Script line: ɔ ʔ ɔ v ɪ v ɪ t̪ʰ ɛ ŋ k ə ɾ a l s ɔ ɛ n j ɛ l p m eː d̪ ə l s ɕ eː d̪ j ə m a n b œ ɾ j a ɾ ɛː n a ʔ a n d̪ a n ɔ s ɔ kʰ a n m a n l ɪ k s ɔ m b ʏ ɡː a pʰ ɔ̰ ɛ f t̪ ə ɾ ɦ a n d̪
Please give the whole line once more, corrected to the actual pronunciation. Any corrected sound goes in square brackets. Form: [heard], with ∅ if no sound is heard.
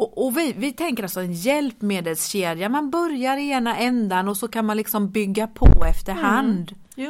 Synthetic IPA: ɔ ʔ ɔ v ɪ v ɪ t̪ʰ ɛ ŋ k ə ɾ a l s ɔ ɛ n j ɛ l p m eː d̪ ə l s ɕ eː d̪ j [a] m a n b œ ɾ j a ɾ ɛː n a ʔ [ɛ] n d̪ a n ɔ s ɔ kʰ a n m a n l ɪ k s ɔ m b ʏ ɡː a pʰ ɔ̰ ɛ f t̪ ə ɾ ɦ a n d̪